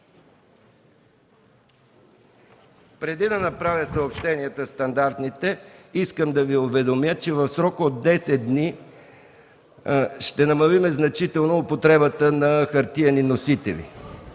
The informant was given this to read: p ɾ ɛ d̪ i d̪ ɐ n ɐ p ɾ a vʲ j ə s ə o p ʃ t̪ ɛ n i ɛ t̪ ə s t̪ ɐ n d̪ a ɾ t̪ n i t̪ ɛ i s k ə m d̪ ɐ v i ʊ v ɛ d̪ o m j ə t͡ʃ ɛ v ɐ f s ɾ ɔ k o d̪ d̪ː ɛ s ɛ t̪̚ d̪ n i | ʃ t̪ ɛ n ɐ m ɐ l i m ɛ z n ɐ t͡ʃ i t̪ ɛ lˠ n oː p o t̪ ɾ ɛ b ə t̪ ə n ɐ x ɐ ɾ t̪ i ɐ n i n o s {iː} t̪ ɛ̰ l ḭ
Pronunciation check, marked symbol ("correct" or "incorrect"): incorrect